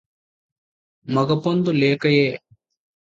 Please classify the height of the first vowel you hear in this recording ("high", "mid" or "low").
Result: low